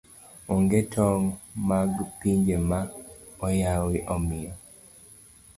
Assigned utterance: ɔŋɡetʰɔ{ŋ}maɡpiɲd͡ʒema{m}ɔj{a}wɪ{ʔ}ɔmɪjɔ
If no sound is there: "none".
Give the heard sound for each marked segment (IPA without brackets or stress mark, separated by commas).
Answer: ŋ, none, a, ʔ